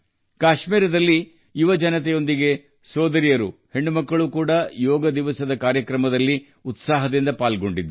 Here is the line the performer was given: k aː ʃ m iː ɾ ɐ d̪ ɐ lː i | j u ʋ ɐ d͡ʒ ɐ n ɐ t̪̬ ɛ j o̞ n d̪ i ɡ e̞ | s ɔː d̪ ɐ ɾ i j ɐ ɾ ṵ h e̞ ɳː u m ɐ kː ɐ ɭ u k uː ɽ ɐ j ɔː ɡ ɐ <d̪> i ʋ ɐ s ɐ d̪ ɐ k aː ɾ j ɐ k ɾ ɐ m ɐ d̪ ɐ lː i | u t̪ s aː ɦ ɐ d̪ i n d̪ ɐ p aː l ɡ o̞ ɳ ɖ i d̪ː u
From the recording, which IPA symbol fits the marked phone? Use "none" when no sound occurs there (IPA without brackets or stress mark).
d̪